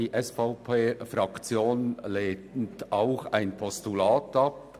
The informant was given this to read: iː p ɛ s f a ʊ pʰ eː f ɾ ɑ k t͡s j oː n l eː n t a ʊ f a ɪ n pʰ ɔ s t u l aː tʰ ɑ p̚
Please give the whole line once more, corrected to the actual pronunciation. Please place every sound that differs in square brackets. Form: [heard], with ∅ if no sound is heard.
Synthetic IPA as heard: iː [ʔ] ɛ s f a ʊ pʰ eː f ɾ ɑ k t͡s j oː n l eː n t a ʊ [x] a ɪ n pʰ ɔ s t u l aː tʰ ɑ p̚